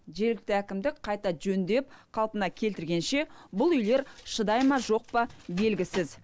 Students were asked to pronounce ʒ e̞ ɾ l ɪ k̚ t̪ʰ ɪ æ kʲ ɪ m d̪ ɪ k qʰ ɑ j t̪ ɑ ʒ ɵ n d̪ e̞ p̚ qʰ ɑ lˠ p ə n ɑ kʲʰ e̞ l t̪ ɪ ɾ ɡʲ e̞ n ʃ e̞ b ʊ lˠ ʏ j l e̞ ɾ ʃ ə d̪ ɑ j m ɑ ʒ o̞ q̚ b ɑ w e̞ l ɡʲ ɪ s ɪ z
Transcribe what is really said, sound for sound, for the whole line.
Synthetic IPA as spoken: ʒ e̞ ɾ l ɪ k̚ t̪ ɪ æ kʲ ɪ m d̪ ɪ k qʰ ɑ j t̪ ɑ ʒ ɵ n d̪ e̞ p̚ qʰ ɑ lˠ p ə n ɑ kʲʰ e̞ l t̪ ɪ ɾ ɡʲ e̞ n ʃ e̞ b ʊ lˠ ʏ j l e̞ ɾ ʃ ə d̪ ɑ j m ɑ ʒ o̞ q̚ p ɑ b e̞ l ɡʲ ɪ s ɪ z